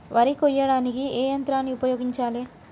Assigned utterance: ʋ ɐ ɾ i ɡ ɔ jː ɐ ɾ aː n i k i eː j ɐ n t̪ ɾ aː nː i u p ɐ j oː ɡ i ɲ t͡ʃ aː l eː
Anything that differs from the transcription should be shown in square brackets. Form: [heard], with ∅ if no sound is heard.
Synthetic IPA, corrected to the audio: ʋ ɐ ɾ i [k] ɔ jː ɐ [ɽ] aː n i k i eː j ɐ n t̪ ɾ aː nː i u p ɐ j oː ɡ i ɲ t͡ʃ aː l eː